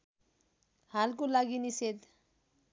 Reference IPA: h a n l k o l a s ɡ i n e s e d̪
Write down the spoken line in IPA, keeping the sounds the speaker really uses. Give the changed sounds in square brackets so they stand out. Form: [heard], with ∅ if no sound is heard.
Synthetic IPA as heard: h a [∅] l k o l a [∅] ɡ i n [i] s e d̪